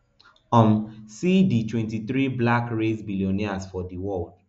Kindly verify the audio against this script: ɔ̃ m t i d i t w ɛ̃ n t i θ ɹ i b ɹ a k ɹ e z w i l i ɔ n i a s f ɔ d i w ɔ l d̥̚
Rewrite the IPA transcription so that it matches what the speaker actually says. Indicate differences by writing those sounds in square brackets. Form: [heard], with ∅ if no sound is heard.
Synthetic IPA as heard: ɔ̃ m [s] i d i t w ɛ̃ n t i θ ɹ i b [l] a k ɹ e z [b] i l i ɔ n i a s f ɔ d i w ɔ l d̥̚